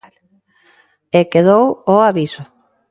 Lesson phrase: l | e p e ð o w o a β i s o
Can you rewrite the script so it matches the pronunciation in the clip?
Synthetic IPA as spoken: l | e k e ð o w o a β i s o